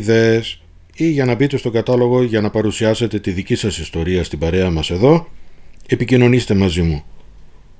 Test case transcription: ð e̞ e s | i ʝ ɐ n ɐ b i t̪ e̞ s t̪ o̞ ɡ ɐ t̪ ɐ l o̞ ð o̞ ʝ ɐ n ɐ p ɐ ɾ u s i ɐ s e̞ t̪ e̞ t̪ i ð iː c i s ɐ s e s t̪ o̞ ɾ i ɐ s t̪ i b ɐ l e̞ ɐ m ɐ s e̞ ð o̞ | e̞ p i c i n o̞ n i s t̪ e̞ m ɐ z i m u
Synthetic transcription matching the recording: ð e̞ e s | i ʝ ɐ n ɐ b i t̪ e̞ s t̪ o̞ ɡ ɐ t̪ ɐ l o̞ ɣ o̞ ʝ ɐ n ɐ p ɐ ɾ u s i ɐ s e̞ t̪ e̞ t̪ i ð i c i s ɐ s i s t̪ o̞ ɾ i ɐ s t̪ i b ɐ ɾ e̞ ɐ m ɐ s e̞ ð o̞ | e̞ p i c i n o̞ n i s t̪ e̞ m ɐ z i m u